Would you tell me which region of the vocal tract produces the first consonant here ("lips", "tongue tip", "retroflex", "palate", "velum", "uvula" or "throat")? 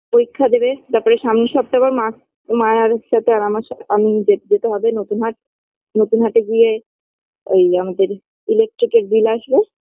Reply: lips